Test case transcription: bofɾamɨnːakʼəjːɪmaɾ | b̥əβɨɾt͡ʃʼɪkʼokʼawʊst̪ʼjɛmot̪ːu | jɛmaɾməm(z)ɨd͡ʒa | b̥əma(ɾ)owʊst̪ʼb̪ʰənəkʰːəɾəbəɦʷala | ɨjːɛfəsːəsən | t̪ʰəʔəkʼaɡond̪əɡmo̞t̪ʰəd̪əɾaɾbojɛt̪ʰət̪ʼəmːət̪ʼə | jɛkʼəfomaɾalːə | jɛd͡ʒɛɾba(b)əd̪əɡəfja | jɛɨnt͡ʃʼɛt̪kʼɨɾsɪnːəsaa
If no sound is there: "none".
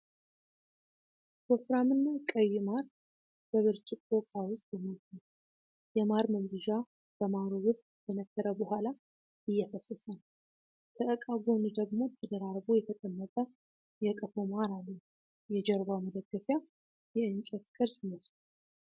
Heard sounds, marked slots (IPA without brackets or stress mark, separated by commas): z, ɾ, m